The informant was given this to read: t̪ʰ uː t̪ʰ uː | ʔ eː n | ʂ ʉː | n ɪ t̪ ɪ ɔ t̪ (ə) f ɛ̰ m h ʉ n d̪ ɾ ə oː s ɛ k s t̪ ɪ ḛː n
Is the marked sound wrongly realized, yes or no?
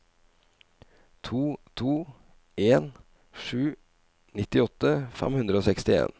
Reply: no